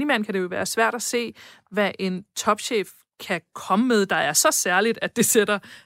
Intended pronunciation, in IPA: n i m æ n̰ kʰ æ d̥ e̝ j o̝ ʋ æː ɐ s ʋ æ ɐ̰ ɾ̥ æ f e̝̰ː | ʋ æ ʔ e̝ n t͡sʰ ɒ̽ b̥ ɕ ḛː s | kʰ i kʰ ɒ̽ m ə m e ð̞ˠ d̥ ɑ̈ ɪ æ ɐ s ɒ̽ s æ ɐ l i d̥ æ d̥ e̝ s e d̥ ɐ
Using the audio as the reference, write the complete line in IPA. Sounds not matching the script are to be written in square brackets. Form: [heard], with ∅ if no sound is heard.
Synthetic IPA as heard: n i m æ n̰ kʰ æ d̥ e̝ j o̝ ʋ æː ɐ s ʋ æ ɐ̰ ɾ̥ æ [s] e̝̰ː | ʋ æ ʔ e̝ n t͡sʰ ɒ̽ b̥ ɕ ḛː [f] | kʰ [æ] kʰ ɒ̽ m ə m e ð̞ˠ d̥ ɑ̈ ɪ æ ɐ s ɒ̽ s æ ɐ l i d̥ æ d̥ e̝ s e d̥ ɐ